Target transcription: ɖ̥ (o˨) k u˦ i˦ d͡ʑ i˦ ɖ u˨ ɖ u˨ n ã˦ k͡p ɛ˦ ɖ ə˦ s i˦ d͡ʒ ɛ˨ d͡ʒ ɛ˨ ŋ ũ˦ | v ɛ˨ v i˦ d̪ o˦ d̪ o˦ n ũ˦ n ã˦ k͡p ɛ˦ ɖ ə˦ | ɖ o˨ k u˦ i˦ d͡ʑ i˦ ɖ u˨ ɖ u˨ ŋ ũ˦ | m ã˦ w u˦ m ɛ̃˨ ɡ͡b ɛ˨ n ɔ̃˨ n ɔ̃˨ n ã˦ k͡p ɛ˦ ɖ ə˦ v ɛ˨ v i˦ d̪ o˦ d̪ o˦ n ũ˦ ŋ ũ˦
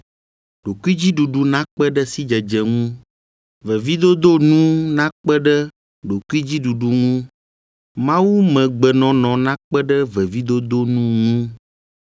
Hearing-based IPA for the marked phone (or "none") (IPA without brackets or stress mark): o˨